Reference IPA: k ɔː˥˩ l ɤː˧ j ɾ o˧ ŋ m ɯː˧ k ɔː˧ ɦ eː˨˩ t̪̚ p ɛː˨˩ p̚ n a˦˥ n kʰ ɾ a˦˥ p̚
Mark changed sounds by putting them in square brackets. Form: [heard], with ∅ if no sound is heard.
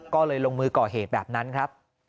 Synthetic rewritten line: k ɔː˥˩ l ɤː˧ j [l] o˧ ŋ m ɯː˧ k [ɔː˨˩] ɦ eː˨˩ t̪̚ [b] ɛː˨˩ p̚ n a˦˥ n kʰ ɾ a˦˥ p̚